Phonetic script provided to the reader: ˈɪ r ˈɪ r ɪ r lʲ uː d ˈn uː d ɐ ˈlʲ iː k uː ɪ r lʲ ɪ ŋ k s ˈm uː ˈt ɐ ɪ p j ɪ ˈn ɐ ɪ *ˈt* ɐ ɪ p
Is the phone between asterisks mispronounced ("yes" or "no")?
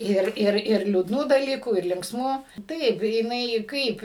yes